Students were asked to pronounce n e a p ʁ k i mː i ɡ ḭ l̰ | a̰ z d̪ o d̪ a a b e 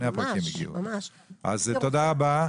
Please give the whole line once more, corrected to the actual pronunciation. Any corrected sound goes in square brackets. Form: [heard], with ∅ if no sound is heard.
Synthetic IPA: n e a p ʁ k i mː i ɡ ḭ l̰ | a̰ z [t̪] o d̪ a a b [a]